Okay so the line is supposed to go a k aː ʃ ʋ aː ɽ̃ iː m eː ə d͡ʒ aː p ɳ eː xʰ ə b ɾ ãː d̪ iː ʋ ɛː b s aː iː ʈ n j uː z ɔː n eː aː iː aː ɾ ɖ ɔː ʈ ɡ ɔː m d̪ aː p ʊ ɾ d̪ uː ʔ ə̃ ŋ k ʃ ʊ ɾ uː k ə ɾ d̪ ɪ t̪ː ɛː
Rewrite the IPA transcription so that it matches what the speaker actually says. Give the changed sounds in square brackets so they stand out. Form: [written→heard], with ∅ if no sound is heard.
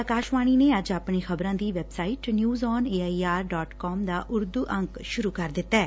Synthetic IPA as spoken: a k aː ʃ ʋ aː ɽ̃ iː [m→n] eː ə d͡ʒ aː p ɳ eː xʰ ə b ɾ ãː d̪ iː ʋ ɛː b s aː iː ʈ n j uː z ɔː n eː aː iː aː ɾ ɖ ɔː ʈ [ɡ→k] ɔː m d̪ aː [p→ʔ] ʊ ɾ d̪ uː ʔ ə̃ ŋ k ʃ ʊ ɾ uː k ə ɾ d̪ ɪ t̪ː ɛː